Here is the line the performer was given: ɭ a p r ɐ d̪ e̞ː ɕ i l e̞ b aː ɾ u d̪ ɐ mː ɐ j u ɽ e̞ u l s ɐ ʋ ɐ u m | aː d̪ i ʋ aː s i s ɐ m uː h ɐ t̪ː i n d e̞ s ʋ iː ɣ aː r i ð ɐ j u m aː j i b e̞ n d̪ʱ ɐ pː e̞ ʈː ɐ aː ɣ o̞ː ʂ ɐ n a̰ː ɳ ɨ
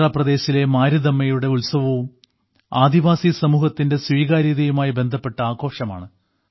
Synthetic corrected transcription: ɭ a p r ɐ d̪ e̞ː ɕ i l e̞ m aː ɾ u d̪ ɐ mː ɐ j u ɽ e̞ u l s ɐ ʋ ɐ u m | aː d̪ i ʋ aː s i s ɐ m uː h ɐ t̪ː i n d e̞ s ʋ iː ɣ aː ɾ i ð ɐ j u m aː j i b e̞ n d̪ʱ ɐ pː e̞ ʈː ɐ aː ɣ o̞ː ʂ ɐ m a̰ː ɳ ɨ